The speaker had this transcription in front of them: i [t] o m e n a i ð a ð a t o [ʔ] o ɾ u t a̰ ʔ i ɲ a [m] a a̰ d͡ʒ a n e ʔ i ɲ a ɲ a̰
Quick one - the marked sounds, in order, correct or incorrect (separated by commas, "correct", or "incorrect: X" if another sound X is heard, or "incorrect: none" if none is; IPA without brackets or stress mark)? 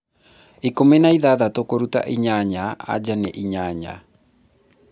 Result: incorrect: k, incorrect: k, incorrect: ɲ